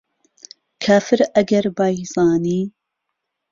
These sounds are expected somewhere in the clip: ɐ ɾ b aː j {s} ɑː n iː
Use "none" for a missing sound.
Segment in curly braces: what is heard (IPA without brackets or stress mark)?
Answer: z